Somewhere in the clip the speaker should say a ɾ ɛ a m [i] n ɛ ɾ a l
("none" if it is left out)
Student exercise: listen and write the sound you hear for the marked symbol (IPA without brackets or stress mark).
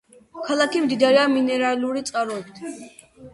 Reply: i